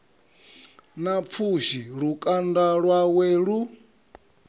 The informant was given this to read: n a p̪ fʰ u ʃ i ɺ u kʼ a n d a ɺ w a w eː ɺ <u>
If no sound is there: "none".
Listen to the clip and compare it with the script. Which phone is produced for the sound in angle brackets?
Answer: u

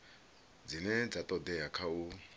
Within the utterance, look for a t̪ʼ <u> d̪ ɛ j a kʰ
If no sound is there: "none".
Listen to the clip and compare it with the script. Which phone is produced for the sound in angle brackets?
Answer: ɔ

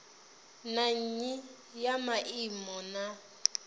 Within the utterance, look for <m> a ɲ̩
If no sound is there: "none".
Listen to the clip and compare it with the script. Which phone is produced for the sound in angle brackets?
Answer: n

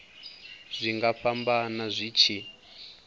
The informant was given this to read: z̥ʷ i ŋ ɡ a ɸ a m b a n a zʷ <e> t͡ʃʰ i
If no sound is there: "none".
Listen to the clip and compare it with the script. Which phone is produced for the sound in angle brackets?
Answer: i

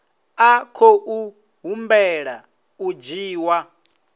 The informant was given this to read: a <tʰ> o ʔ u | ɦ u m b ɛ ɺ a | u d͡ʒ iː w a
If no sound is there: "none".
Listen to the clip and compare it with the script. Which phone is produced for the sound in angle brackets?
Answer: kʰ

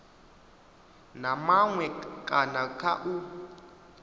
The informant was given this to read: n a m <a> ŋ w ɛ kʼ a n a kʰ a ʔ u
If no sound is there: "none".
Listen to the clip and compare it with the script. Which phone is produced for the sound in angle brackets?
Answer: a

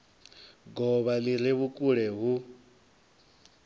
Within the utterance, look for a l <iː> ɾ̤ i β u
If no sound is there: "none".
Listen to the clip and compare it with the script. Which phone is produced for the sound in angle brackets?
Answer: i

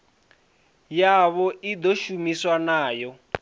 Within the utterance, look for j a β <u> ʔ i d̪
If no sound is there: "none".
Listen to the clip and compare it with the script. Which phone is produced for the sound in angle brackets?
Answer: ɔ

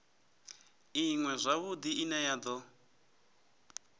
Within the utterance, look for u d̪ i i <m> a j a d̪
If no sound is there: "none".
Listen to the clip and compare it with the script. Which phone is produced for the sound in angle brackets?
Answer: n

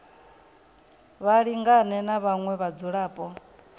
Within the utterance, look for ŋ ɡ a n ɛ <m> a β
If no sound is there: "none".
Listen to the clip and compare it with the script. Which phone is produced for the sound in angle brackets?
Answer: n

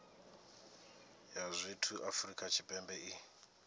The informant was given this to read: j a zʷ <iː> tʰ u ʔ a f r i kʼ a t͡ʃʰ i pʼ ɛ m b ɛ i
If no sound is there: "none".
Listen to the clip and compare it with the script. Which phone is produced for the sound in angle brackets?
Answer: i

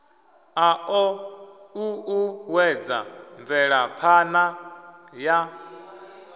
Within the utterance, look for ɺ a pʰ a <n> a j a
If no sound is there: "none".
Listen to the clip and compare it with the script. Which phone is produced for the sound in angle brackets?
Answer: n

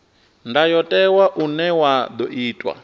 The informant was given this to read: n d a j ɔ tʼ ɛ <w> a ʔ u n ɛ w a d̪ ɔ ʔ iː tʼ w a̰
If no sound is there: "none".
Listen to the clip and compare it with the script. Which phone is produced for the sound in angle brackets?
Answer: w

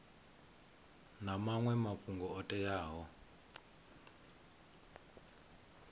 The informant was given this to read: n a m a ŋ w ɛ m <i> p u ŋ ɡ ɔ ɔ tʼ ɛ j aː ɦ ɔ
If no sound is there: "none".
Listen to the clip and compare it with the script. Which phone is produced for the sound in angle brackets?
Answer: a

